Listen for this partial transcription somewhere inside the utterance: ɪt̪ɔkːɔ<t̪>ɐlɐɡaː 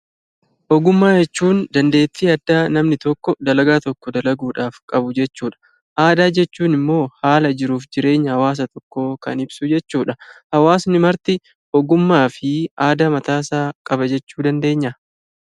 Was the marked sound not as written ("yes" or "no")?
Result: yes